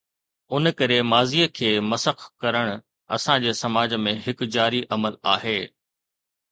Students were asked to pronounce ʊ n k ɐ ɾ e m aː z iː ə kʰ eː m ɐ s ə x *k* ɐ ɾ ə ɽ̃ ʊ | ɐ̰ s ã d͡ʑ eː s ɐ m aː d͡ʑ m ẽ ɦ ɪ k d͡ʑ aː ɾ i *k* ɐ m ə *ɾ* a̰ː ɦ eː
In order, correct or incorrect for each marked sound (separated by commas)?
correct, incorrect, incorrect